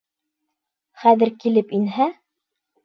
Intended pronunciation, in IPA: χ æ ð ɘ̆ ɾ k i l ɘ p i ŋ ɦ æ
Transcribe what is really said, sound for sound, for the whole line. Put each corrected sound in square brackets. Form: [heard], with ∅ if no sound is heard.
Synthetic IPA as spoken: χ æ ð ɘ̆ ɾ k i l ɘ p i [n] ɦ æ